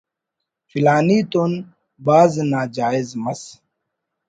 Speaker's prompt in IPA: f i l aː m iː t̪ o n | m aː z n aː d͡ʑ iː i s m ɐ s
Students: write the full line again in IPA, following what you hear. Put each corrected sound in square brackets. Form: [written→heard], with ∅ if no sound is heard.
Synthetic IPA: f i l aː [m→n] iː t̪ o n | [m→b] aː z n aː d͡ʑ [iː→aː] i [s→z] m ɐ s